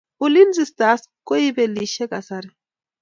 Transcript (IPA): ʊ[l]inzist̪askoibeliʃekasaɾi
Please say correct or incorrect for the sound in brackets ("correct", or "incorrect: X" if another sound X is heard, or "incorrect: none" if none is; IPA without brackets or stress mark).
correct